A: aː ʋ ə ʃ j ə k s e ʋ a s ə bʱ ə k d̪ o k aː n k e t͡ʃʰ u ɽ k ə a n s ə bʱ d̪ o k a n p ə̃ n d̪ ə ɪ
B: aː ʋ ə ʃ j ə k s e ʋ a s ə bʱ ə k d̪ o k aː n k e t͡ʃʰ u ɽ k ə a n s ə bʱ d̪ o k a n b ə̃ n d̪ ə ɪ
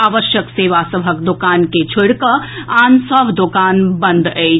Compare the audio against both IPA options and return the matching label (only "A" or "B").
B